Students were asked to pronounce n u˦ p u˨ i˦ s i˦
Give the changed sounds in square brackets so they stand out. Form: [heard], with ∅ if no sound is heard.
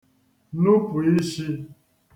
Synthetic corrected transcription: n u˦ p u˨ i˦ [ʃ] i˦